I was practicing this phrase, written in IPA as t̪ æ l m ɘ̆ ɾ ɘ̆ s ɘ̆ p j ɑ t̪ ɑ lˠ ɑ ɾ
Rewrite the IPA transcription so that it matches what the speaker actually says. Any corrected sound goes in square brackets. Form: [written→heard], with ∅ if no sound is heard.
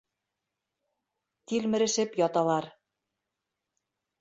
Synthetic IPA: t̪ [æ→i] l m ɘ̆ ɾ ɘ̆ [s→ʃ] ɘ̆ p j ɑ t̪ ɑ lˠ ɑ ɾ